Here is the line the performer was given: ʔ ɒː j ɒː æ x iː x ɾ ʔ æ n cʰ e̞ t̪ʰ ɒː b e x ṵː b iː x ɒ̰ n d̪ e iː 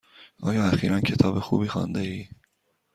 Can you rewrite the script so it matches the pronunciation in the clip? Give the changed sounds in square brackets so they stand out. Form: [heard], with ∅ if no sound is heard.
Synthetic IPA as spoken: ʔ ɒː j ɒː æ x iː [∅] ɾ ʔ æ n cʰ e̞ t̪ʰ ɒː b e x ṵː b iː x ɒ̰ n d̪ e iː